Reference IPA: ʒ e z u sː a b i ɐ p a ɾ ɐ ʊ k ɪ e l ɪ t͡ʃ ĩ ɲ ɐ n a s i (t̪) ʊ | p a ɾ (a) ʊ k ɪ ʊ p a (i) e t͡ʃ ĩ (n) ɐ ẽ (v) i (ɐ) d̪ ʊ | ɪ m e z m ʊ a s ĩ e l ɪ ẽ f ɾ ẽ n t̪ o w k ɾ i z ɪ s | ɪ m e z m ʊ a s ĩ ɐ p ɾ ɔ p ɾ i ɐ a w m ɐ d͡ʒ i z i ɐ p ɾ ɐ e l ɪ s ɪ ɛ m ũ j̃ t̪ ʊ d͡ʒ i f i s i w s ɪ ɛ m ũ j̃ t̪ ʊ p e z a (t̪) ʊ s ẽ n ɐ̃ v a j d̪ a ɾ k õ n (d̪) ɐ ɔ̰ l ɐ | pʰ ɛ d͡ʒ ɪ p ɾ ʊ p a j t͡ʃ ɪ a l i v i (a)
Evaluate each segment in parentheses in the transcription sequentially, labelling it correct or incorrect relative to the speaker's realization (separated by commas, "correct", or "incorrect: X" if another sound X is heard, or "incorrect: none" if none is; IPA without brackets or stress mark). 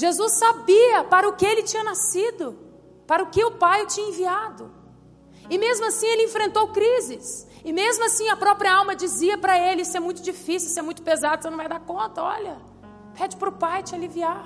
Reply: incorrect: d̪, incorrect: ɐ, incorrect: j, incorrect: ɲ, correct, incorrect: a, incorrect: d̪, incorrect: t̪, correct